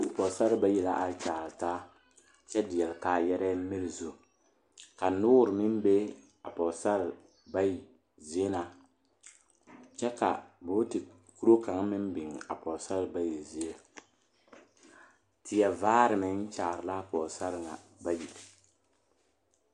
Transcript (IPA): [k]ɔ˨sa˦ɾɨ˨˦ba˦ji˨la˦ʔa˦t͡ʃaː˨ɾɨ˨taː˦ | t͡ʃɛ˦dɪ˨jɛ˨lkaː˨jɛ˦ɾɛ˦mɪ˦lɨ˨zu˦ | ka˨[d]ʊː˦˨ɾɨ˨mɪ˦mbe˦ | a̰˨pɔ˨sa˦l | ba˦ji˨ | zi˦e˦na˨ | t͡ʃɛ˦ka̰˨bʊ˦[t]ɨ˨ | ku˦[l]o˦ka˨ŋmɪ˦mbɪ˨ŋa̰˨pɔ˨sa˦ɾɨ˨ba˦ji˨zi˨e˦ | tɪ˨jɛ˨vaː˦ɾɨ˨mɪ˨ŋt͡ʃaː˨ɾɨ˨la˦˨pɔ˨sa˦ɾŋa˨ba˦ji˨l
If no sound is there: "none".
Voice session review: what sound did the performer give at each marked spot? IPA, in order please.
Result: p, n, t, ɾ

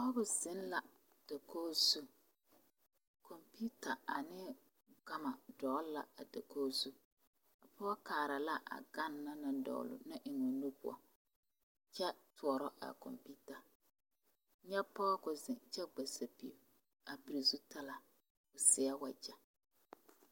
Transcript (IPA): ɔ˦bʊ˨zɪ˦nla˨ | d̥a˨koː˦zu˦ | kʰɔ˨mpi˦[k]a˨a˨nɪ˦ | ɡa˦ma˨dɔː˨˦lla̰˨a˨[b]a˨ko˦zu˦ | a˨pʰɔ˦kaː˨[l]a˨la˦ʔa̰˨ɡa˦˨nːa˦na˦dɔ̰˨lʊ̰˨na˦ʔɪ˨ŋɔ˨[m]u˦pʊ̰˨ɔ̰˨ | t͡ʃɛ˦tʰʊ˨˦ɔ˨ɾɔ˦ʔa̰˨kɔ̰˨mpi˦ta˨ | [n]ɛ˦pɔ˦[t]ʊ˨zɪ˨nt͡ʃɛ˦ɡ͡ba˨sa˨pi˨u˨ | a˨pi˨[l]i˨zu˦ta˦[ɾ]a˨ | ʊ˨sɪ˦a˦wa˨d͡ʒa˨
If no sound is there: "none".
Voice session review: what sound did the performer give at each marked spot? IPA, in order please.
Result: t, d, ɾ, n, ɲ, k, ɾ, l

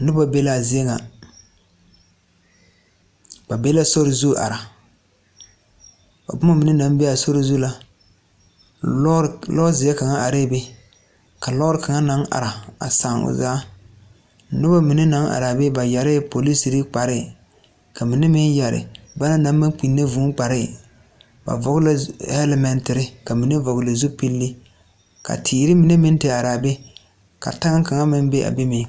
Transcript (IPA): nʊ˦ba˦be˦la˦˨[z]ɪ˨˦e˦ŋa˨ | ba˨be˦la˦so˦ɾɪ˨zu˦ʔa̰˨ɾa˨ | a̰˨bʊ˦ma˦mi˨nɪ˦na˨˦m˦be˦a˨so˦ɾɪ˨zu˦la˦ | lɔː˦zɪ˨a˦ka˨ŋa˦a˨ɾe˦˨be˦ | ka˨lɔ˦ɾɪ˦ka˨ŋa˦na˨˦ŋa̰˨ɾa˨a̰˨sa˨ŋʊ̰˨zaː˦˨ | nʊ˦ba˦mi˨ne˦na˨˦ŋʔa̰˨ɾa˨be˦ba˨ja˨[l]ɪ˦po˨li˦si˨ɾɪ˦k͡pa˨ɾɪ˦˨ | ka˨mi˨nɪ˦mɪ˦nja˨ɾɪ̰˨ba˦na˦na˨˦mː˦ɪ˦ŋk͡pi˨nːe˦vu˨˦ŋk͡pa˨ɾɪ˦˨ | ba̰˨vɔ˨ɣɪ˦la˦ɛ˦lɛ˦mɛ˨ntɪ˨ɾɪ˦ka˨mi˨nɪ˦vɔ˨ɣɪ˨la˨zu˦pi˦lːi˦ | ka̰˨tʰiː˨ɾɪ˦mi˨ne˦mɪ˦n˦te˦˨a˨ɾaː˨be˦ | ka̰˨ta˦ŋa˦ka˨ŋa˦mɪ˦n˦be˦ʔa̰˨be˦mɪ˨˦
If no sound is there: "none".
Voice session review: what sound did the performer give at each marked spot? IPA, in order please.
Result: z, ɾ

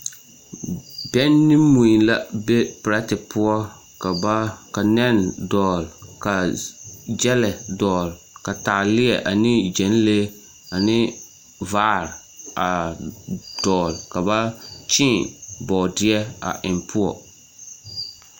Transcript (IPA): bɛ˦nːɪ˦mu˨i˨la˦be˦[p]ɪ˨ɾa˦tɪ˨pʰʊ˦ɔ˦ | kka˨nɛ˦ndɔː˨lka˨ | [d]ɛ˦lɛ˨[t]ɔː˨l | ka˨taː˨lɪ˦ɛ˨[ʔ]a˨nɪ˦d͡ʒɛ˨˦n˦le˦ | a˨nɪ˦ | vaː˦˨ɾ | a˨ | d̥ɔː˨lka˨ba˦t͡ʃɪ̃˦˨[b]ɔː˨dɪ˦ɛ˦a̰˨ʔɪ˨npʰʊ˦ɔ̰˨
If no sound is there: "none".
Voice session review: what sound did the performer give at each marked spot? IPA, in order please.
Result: p, d͡ʒ, d, ʔ, b

